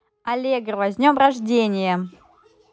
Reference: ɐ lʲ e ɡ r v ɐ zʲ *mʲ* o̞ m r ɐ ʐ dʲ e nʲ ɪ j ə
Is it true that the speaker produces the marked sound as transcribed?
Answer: no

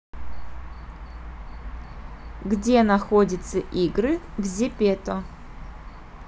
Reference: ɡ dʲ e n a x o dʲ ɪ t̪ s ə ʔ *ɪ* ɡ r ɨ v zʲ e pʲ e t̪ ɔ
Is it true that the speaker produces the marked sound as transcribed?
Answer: no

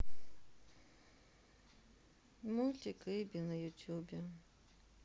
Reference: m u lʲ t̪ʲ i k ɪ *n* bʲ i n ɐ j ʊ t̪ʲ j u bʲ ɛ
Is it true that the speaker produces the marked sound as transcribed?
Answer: no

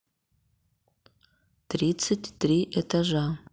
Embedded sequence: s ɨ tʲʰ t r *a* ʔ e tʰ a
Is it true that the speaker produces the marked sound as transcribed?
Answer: no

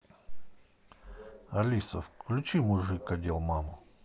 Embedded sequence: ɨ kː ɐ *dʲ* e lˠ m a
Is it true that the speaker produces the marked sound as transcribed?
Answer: yes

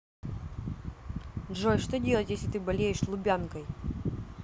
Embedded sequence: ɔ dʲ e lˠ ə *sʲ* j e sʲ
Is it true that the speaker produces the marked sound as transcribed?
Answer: no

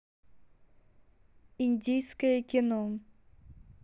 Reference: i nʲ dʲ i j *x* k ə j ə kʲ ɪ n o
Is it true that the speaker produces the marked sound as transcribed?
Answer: no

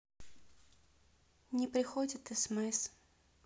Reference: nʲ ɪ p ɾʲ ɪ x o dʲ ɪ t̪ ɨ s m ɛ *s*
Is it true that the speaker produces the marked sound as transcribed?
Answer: yes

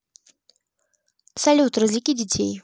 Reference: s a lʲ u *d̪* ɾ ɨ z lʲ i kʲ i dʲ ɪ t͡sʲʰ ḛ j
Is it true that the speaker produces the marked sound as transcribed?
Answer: no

